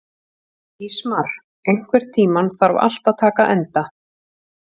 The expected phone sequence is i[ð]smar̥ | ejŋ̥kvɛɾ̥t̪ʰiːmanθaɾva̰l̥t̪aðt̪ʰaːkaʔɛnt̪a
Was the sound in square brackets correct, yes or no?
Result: no